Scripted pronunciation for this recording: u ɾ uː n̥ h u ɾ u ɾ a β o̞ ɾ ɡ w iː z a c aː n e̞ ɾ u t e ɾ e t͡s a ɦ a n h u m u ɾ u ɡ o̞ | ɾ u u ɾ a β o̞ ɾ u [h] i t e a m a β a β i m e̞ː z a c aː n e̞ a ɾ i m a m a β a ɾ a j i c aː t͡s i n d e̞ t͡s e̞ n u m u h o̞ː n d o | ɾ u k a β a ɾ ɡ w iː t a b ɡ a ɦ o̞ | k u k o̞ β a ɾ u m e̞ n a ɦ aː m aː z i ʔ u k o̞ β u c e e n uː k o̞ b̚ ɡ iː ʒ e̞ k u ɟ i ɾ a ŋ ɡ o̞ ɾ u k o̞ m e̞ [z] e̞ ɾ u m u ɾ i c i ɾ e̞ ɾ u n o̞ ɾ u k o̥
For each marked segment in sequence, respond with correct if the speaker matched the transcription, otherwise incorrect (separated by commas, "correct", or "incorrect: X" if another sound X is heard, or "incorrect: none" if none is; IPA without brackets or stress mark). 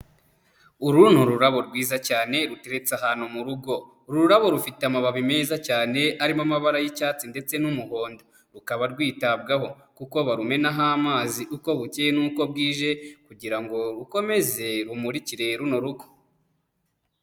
incorrect: f, correct